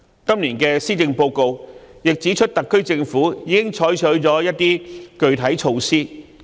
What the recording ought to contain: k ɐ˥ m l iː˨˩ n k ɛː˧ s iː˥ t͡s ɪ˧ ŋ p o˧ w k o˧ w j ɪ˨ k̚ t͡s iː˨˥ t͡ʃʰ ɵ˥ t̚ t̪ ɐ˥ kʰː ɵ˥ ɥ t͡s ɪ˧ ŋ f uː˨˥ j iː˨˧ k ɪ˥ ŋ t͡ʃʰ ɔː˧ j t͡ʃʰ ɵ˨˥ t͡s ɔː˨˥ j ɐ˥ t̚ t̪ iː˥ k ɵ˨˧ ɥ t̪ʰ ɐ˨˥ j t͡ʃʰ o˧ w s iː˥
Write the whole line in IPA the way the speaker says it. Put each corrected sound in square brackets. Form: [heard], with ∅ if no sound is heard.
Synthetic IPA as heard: k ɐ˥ m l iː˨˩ n k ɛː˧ s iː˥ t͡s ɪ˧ ŋ p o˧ w k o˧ w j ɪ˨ k̚ t͡s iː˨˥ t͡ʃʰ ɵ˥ t̚ t̪ [ɐ˨] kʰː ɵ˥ ɥ t͡s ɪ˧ ŋ f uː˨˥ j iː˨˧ k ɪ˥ ŋ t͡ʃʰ [ɔː˨˥] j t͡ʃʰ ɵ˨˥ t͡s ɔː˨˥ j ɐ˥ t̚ t̪ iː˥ k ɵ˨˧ ɥ t̪ʰ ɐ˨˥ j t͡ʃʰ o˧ w s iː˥